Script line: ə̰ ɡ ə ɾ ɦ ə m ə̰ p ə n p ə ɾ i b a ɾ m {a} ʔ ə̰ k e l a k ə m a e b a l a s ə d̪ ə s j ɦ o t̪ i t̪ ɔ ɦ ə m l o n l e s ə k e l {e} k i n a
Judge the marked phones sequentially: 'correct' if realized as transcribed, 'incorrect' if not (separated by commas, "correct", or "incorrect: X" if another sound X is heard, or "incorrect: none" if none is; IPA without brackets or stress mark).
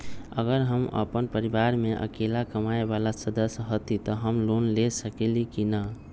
incorrect: e, incorrect: i